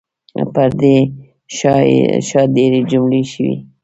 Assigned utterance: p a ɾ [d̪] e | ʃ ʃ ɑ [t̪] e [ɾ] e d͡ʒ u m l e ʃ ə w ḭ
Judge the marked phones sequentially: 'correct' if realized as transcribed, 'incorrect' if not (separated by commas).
correct, incorrect, correct